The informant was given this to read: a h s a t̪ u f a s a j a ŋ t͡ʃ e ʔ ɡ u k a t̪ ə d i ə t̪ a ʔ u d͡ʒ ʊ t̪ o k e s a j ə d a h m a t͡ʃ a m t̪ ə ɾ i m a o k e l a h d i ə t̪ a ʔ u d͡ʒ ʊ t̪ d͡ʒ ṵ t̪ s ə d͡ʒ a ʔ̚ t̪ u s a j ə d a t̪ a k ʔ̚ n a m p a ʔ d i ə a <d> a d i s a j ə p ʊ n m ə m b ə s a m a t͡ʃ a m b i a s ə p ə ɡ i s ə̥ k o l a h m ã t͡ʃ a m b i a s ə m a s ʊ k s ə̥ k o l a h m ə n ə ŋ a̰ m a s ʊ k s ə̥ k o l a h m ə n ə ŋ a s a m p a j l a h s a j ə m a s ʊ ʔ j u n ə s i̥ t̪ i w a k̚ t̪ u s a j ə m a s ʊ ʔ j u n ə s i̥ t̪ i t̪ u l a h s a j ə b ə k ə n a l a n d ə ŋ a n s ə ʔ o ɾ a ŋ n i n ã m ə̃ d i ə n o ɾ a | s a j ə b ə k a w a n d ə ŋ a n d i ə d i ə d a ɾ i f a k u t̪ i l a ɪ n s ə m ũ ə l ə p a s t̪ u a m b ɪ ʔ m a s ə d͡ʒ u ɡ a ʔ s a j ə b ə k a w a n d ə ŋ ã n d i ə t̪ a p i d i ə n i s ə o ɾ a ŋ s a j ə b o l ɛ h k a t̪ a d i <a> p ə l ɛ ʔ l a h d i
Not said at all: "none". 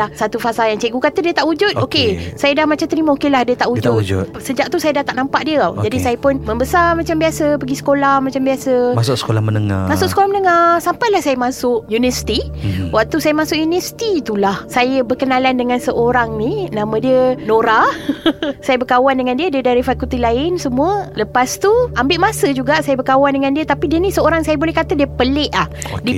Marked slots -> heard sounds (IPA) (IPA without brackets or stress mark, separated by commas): d͡ʒ, ə